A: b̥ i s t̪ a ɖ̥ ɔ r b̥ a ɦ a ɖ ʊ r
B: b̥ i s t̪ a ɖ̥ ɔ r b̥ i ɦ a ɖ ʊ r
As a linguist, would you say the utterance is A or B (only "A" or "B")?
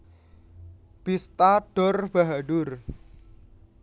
A